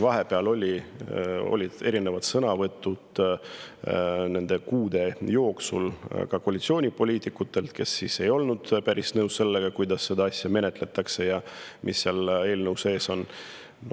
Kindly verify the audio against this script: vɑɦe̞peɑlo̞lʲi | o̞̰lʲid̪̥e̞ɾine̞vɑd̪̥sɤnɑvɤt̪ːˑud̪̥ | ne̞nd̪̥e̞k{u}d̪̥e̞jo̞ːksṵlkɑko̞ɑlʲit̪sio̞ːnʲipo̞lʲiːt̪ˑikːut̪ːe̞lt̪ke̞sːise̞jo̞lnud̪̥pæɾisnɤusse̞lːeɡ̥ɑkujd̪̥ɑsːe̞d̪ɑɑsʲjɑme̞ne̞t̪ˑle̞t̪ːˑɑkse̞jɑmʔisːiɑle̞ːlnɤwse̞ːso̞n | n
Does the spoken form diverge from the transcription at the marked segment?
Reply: yes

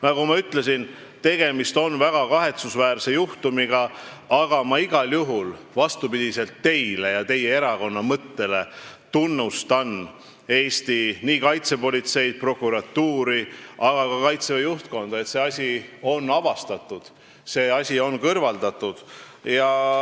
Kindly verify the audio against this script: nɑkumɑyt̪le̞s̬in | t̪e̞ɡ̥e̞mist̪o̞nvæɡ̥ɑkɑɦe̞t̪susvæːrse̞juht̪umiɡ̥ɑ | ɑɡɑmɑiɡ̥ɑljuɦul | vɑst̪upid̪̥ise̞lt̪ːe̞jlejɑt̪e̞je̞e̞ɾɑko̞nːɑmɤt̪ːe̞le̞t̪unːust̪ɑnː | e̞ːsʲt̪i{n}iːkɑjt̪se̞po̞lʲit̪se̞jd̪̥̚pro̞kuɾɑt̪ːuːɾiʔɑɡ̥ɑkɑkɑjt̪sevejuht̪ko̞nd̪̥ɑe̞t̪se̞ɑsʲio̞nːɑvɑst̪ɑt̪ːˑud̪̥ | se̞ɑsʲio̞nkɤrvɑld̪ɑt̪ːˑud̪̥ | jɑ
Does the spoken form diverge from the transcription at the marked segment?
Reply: no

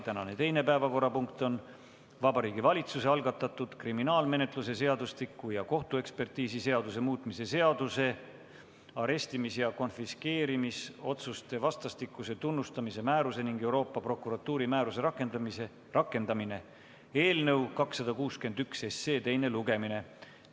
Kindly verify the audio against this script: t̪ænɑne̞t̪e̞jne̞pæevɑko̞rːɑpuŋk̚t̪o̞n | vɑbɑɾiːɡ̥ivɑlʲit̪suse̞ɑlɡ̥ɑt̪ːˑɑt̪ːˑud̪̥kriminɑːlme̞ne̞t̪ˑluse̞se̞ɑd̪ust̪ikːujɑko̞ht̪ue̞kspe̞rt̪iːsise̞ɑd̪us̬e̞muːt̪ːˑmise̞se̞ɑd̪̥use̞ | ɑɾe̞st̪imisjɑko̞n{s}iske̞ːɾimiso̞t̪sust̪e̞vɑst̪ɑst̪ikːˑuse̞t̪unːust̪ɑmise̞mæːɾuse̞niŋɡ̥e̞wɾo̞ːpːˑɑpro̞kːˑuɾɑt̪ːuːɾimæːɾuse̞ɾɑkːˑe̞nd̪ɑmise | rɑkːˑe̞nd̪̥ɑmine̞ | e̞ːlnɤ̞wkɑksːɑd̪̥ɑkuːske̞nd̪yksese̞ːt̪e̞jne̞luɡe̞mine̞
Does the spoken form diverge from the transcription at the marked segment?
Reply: yes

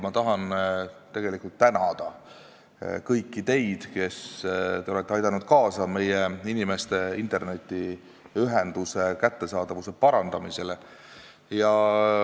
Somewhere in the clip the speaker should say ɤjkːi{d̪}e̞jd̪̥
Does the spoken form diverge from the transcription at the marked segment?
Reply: yes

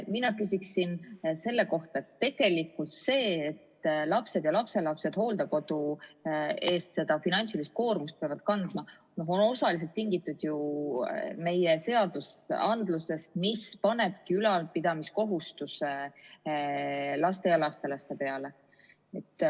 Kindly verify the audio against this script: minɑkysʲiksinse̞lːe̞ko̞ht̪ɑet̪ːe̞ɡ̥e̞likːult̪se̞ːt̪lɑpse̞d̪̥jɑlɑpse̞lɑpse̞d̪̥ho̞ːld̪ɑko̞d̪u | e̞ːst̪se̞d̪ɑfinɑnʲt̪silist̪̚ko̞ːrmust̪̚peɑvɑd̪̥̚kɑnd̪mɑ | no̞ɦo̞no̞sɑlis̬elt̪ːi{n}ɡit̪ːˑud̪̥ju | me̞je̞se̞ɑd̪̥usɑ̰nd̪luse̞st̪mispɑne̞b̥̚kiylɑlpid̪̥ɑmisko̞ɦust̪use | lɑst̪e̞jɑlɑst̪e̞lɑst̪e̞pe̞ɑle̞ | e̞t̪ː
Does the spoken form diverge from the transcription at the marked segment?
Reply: yes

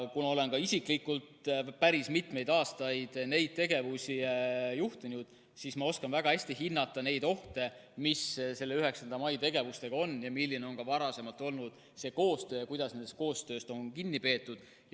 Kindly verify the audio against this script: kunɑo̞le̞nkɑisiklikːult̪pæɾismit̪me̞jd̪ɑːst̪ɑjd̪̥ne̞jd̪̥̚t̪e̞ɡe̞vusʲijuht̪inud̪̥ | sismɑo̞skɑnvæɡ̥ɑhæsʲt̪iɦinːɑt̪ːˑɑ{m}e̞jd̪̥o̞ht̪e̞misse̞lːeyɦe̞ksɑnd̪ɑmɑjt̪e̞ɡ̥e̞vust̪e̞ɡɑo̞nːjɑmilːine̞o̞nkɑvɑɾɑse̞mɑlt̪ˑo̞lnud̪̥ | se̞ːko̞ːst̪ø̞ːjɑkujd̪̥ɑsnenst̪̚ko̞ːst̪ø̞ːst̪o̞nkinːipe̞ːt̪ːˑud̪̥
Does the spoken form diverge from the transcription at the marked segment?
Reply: yes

